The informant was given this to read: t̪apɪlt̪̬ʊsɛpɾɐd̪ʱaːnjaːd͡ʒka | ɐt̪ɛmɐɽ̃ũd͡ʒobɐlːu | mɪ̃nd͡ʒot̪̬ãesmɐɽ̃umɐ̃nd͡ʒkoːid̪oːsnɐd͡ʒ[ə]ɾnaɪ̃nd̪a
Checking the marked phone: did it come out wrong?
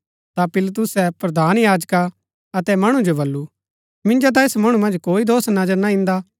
no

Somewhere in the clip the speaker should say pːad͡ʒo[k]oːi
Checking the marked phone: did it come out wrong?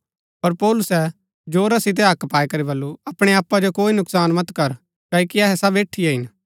no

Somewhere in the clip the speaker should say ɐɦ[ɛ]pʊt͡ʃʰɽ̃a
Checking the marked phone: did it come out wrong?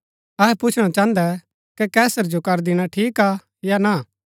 no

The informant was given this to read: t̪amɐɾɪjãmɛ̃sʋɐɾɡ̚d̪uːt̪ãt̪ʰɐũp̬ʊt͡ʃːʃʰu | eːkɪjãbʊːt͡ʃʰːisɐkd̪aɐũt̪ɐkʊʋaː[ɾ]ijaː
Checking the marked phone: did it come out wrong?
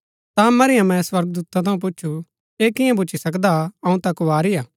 no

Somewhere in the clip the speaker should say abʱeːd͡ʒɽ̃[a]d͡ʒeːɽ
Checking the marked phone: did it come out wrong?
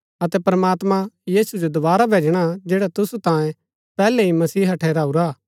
no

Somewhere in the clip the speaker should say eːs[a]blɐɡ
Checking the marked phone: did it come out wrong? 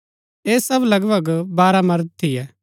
yes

